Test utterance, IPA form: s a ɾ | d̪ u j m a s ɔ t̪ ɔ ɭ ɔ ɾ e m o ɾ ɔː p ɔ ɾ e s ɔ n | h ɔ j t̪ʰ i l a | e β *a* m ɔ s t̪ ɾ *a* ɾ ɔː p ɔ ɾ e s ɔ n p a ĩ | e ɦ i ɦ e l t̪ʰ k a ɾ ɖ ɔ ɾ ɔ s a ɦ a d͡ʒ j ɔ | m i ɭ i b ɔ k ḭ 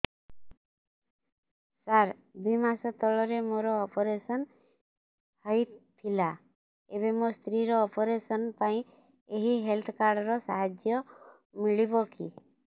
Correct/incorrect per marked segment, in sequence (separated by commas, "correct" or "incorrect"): incorrect, incorrect